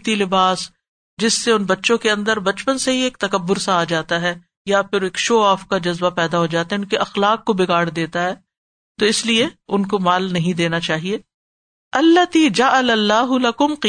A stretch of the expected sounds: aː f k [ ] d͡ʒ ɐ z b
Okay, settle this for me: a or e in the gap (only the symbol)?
a